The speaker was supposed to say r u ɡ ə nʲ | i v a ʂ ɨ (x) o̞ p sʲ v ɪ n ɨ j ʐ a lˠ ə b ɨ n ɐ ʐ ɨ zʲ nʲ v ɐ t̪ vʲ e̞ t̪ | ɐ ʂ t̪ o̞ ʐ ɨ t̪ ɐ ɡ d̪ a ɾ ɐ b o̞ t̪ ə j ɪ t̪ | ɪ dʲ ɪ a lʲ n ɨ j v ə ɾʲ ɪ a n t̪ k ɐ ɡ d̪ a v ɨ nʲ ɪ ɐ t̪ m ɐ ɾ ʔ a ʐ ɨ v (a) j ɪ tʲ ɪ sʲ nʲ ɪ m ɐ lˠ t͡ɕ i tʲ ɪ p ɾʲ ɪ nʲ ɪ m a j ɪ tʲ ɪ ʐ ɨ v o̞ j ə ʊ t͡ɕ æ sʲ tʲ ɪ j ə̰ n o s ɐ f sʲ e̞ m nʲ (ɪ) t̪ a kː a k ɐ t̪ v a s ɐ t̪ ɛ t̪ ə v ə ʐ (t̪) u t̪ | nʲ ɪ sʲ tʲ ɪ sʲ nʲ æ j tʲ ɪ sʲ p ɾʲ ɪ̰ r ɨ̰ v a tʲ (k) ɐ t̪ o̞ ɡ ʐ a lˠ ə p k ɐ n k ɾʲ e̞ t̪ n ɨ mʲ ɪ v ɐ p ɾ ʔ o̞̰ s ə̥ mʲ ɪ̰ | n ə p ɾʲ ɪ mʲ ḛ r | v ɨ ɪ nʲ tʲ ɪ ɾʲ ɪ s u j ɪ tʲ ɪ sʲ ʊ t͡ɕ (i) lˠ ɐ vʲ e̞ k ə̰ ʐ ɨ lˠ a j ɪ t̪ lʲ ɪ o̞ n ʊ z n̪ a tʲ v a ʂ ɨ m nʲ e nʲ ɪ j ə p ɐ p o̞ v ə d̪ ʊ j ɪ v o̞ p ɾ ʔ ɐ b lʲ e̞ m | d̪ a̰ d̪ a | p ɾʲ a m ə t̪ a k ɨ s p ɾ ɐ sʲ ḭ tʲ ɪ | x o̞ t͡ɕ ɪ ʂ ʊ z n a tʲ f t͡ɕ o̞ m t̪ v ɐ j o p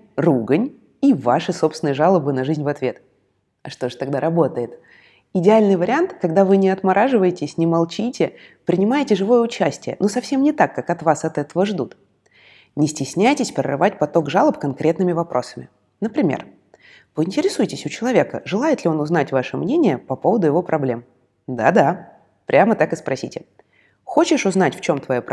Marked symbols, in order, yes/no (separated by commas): no, no, yes, no, no, no